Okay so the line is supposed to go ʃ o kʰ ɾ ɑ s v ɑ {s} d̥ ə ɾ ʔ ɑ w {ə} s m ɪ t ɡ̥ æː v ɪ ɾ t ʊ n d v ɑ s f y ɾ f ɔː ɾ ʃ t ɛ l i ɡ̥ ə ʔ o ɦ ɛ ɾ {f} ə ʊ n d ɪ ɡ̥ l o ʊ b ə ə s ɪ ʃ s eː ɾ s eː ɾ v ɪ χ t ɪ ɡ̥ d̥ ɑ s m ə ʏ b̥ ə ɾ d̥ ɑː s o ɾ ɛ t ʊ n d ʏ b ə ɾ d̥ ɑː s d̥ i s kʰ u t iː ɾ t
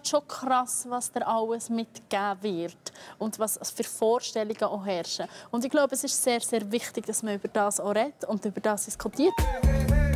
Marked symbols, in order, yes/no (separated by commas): yes, yes, no